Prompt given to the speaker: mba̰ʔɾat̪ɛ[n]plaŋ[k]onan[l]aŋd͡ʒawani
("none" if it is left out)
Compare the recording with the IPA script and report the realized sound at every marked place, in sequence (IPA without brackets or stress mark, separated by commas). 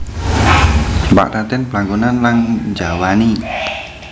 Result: n, ɡ, l